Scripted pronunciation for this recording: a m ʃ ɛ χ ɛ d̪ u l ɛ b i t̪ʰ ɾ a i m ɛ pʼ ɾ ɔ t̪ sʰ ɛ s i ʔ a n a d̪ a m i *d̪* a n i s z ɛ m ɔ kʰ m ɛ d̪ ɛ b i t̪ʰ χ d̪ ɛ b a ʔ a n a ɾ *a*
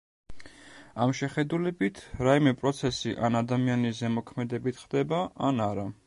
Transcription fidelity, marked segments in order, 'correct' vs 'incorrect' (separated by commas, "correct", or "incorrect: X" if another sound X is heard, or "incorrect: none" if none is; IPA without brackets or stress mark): incorrect: none, correct